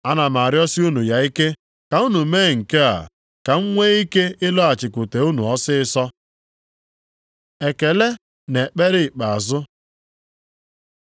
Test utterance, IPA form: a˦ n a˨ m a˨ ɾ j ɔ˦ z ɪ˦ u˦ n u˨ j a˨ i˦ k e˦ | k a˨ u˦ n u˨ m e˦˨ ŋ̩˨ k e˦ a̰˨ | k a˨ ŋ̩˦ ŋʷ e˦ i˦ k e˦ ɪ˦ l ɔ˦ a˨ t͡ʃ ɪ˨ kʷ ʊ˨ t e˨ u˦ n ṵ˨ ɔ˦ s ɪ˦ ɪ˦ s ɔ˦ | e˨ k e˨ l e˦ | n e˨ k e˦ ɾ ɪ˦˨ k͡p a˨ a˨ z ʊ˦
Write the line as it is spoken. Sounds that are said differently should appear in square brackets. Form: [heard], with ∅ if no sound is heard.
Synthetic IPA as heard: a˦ n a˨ m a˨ ɾ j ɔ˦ [s] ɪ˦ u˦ n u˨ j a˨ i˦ k e˦ | k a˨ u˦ n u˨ m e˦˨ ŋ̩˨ k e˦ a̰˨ | k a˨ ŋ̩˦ ŋʷ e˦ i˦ k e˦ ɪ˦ l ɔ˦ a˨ t͡ʃ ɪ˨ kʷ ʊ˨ t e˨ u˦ n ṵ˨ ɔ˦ s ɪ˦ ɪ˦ s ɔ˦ | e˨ k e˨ l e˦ | n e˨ [k͡p] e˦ ɾ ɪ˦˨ k͡p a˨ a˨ z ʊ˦

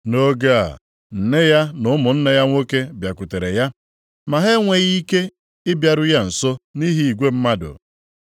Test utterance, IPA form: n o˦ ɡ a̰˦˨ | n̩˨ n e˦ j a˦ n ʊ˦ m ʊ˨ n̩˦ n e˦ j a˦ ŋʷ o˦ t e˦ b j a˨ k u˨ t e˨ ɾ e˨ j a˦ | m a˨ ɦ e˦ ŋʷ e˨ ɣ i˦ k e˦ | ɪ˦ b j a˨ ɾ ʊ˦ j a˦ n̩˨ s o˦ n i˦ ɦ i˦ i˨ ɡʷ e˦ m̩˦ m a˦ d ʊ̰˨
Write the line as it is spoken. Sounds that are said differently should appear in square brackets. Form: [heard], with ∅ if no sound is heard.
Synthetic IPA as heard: n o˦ ɡ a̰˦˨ | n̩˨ n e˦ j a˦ n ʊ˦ m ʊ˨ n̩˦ n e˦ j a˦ ŋʷ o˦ [k] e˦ b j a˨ k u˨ t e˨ ɾ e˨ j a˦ | m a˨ ɦ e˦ ŋʷ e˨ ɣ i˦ k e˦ | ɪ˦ b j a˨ ɾ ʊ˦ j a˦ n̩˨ s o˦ n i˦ ɦ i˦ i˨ ɡʷ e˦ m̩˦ m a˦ d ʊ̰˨

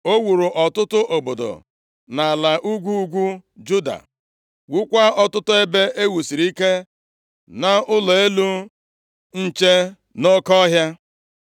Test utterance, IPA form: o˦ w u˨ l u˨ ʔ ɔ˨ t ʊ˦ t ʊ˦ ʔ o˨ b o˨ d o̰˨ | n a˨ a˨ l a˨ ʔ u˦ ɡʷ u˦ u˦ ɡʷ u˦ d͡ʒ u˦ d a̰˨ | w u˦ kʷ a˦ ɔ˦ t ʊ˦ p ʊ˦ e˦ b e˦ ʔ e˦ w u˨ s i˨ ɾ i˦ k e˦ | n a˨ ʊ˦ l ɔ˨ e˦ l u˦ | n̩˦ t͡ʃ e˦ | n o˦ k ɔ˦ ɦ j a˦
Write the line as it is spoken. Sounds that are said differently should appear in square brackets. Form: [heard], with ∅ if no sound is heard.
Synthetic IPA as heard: o˦ w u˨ [ɾ] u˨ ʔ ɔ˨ t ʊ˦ t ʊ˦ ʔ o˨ b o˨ d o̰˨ | n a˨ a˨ l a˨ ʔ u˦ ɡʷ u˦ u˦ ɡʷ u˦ d͡ʒ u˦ d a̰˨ | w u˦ kʷ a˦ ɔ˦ t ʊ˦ [t] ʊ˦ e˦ b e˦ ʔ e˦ w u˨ s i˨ ɾ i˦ k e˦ | n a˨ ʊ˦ l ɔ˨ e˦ l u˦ | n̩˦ t͡ʃ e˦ | n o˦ k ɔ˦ ɦ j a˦

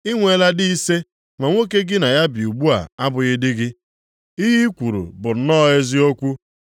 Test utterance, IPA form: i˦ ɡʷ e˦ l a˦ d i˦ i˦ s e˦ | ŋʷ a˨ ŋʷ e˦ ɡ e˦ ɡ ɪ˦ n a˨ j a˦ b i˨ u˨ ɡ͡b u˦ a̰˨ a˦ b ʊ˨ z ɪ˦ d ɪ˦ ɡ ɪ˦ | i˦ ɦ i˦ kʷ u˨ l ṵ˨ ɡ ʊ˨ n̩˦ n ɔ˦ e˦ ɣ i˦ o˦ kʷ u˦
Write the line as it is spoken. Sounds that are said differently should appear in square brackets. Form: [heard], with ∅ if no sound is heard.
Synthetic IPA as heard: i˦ [ŋʷ] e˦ l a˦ d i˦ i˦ s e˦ | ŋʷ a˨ ŋʷ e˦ [k] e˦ ɡ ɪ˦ n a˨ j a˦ b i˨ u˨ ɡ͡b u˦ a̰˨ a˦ b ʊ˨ [ɣ] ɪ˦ d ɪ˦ ɡ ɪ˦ | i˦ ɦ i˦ kʷ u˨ [ɾ] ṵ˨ [b] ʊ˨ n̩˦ n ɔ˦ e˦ [z] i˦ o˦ kʷ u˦

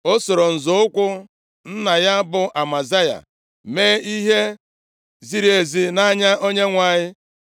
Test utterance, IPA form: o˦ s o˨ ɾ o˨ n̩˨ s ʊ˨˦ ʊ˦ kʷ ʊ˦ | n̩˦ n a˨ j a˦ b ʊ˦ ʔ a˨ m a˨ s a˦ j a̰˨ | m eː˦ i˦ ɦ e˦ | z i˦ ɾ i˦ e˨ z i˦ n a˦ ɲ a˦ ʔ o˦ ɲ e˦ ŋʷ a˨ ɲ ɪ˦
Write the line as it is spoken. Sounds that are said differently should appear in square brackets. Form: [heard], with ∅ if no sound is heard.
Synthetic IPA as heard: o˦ s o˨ ɾ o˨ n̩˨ [z] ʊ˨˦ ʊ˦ kʷ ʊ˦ | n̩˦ n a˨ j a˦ b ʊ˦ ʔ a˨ m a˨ [z] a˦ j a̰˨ | m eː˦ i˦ ɦ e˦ | z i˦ ɾ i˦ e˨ z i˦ n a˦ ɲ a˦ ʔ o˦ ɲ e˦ ŋʷ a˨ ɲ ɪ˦

